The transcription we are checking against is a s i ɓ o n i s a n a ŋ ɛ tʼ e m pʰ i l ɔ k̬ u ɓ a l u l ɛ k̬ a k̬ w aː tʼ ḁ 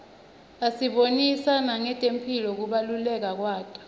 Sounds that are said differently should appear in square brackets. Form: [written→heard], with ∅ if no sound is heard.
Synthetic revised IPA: a s i ɓ o n i s a n a ŋ ɛ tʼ e m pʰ i l ɔ k̬ u ɓ a l u l ɛ k̬ a k̬ w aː tʼ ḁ